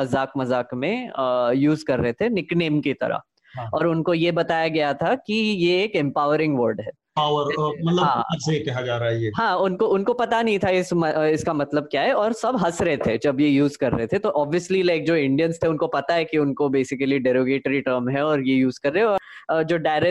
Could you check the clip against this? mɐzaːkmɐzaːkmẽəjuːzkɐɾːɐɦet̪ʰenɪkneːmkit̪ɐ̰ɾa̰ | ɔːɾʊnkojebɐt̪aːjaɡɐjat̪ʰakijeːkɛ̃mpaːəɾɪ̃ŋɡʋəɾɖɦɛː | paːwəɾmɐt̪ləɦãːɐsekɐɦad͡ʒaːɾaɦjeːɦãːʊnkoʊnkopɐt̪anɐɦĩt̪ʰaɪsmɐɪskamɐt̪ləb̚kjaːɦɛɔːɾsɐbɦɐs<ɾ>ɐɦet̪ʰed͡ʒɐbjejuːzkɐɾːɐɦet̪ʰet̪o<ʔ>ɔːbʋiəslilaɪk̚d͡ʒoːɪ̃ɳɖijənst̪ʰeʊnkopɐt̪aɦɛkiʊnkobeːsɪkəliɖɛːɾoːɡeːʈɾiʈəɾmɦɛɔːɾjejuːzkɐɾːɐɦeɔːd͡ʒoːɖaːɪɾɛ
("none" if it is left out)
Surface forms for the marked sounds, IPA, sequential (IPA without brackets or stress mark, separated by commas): ɾ, ʔ